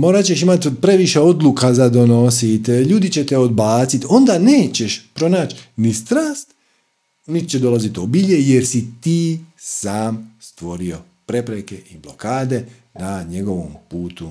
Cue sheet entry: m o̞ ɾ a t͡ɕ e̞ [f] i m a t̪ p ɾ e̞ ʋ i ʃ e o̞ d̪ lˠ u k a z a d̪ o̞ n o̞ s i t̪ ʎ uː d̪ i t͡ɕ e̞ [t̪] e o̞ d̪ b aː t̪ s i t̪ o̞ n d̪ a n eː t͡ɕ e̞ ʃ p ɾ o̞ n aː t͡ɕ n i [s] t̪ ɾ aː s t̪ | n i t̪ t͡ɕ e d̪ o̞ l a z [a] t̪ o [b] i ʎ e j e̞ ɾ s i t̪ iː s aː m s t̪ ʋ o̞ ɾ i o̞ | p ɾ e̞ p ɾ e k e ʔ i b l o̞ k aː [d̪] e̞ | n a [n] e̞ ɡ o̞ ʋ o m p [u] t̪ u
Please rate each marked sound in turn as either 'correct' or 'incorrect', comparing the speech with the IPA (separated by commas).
incorrect, correct, correct, incorrect, correct, correct, incorrect, incorrect